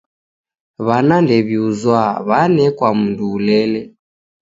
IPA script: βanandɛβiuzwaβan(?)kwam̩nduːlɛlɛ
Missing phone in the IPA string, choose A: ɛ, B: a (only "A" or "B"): A